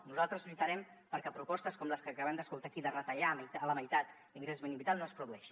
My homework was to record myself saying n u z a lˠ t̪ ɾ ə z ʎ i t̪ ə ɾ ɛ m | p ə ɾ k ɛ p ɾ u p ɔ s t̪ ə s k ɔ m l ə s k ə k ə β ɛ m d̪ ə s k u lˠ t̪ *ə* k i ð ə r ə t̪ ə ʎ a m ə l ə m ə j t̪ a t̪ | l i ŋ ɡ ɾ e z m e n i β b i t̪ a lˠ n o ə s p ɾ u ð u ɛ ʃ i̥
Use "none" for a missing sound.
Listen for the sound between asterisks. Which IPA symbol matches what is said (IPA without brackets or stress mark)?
a